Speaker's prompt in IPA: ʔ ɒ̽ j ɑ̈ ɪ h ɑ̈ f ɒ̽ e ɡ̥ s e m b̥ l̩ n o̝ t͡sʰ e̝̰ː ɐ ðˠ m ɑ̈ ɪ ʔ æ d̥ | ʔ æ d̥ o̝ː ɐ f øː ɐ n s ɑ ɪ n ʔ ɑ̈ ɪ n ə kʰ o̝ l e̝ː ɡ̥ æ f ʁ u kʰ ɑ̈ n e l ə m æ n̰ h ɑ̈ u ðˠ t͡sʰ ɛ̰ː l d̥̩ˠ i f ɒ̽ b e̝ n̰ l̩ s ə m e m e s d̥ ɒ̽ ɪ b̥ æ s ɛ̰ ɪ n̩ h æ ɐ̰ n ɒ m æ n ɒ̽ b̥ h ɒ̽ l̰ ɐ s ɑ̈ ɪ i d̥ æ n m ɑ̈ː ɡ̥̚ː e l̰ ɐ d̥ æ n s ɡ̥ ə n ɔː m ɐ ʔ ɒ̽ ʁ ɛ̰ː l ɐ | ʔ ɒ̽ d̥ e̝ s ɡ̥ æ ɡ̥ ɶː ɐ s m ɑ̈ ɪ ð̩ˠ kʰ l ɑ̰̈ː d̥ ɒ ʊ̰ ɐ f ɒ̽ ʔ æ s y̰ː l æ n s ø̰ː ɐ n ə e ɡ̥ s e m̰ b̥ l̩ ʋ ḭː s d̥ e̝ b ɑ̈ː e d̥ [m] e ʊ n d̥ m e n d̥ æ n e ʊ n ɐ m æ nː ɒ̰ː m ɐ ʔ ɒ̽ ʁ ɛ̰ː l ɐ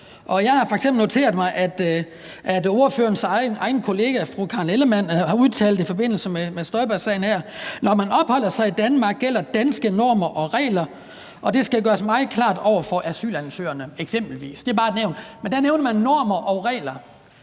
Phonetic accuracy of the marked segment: incorrect: n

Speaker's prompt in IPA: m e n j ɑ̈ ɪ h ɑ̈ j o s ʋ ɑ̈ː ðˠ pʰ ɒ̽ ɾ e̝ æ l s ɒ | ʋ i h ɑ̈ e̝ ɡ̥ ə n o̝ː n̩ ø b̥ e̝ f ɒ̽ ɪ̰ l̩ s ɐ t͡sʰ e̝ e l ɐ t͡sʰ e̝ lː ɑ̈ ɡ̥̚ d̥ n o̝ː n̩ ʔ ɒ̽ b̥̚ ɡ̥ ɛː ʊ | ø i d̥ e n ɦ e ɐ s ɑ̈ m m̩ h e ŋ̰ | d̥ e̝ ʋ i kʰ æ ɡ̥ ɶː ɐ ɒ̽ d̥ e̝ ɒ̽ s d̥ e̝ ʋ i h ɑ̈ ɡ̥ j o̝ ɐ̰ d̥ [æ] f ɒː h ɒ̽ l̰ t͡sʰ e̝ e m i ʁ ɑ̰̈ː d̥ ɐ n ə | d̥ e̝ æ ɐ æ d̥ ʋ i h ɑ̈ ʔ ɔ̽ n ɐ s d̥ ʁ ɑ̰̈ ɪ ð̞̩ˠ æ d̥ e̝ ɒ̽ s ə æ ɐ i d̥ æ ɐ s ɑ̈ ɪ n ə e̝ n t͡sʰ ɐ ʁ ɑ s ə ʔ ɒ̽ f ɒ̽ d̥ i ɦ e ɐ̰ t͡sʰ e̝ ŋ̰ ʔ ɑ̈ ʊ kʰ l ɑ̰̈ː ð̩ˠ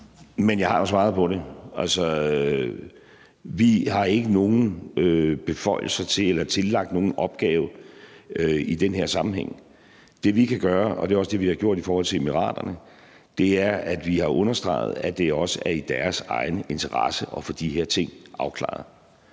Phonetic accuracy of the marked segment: incorrect: i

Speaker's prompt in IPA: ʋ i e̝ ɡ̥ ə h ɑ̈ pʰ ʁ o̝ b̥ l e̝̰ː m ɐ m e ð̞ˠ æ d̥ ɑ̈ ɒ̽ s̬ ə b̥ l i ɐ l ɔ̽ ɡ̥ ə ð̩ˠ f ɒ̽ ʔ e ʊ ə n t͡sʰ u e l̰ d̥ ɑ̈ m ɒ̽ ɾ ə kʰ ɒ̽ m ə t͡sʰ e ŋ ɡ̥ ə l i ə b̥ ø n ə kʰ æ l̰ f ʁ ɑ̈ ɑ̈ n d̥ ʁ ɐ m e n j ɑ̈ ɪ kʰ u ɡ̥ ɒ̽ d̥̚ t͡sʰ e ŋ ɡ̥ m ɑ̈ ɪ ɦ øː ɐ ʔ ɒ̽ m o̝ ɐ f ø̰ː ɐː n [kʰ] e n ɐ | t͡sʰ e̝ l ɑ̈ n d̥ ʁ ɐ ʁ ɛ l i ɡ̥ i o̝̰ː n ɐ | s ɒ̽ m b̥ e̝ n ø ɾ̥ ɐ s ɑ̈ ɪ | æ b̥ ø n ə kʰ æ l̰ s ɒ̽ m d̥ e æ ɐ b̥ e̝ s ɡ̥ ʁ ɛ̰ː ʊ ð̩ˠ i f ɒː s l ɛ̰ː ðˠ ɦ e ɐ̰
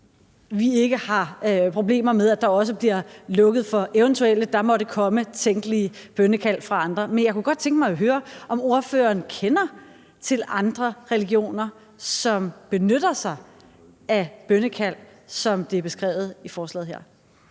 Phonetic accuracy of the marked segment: correct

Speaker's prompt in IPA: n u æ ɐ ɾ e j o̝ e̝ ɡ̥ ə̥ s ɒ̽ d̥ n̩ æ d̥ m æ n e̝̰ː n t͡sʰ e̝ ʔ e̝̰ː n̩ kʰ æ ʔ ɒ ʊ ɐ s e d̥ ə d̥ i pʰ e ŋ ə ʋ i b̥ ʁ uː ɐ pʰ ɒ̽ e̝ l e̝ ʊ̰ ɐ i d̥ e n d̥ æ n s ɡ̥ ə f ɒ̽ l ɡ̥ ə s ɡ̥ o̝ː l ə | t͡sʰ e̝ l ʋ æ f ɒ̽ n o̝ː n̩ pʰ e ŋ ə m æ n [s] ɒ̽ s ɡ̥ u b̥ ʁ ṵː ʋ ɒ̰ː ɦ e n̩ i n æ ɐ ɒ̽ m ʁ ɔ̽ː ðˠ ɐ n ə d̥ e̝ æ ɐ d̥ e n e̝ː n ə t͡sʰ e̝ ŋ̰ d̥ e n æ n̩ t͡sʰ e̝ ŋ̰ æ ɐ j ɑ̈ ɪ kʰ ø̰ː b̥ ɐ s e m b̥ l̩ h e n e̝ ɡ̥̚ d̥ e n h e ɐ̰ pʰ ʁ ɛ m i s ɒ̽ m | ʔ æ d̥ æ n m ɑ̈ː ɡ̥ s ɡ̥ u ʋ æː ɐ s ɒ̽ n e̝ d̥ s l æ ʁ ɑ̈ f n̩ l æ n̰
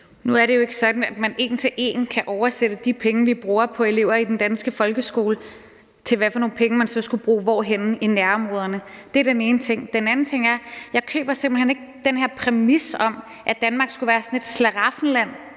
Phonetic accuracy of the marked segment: correct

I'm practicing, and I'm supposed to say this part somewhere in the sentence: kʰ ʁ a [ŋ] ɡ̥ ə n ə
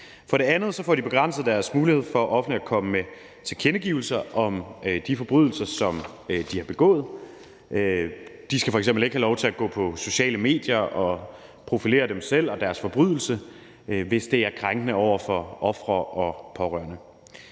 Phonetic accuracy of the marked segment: correct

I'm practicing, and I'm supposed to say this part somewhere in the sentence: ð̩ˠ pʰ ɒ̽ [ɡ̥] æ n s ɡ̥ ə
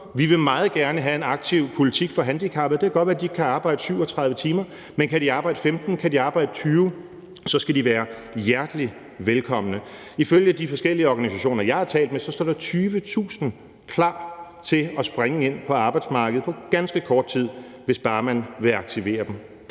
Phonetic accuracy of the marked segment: correct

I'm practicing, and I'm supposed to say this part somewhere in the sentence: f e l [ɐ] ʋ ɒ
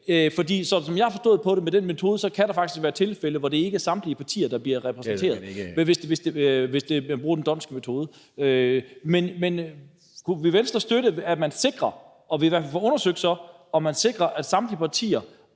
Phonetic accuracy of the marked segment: incorrect: ə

